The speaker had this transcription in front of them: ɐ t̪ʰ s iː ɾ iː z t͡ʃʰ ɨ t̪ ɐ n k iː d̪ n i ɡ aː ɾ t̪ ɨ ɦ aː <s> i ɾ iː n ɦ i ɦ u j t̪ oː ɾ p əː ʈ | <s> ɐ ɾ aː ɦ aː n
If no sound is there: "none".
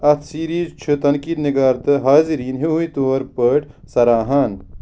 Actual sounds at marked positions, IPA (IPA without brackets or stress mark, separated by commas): z, s